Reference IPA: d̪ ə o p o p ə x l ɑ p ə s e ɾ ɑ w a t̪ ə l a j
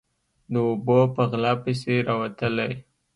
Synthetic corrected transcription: d̪ ə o b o p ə ɣ l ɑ p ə s e ɾ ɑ w a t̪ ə l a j